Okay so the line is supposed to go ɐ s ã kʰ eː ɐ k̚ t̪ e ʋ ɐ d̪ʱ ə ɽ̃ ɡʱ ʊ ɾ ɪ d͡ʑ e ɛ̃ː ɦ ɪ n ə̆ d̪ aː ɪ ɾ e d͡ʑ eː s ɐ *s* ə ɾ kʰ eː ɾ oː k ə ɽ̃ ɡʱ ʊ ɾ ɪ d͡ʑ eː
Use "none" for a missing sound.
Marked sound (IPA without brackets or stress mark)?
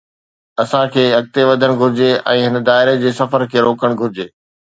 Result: f